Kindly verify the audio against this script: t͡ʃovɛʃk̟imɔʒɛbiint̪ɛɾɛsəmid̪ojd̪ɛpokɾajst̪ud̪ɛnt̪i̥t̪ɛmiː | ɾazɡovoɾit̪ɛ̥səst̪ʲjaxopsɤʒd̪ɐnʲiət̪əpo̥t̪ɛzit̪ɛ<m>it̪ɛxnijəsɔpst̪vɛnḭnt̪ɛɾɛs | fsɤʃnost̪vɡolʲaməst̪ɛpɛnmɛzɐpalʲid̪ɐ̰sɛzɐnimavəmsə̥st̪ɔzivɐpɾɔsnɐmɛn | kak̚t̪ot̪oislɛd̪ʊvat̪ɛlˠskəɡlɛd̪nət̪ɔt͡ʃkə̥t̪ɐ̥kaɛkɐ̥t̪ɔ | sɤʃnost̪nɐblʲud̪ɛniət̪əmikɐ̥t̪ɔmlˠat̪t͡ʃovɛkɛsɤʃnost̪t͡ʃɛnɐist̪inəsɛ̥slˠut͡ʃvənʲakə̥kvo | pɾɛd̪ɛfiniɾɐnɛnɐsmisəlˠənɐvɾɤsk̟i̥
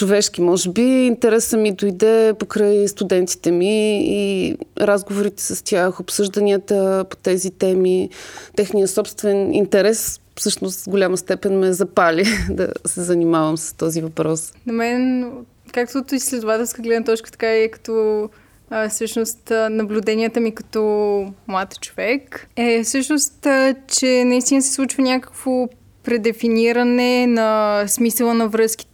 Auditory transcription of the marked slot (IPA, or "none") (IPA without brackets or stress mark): m